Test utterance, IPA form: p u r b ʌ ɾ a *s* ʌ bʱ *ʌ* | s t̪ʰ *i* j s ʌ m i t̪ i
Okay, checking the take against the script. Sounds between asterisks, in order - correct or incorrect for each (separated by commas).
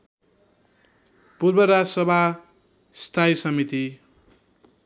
correct, incorrect, incorrect